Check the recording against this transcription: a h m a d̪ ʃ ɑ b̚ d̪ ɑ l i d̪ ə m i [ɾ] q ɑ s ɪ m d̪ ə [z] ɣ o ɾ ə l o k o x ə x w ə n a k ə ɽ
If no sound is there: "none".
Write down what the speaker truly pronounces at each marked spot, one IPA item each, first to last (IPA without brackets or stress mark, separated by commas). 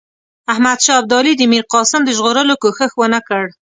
ɾ, ʒ